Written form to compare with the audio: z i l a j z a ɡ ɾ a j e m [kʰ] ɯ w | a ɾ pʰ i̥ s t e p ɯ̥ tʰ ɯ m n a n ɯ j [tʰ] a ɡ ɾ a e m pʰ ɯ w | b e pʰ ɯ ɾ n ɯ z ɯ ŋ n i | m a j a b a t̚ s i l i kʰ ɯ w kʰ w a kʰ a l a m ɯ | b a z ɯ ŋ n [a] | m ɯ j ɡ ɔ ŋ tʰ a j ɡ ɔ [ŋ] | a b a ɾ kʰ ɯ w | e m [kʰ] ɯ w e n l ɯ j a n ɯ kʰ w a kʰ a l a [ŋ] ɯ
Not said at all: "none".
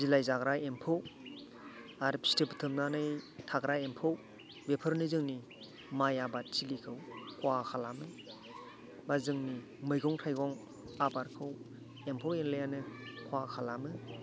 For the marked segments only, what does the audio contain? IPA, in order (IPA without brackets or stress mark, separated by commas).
pʰ, tʰ, i, ŋ, pʰ, m